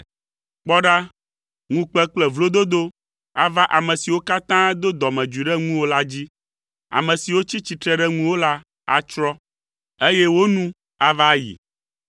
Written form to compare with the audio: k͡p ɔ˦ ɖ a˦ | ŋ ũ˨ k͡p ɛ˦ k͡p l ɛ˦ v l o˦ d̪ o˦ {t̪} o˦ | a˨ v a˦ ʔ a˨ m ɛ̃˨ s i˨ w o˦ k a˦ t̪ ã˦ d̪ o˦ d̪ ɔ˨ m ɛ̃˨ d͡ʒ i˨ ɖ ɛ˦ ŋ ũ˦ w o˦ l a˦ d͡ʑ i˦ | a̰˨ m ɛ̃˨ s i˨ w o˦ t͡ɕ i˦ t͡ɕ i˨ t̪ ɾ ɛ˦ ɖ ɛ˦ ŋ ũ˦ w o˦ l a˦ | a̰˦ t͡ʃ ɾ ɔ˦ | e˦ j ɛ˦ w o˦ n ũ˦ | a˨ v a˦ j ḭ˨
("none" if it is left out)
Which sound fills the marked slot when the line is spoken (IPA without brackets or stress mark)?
d̪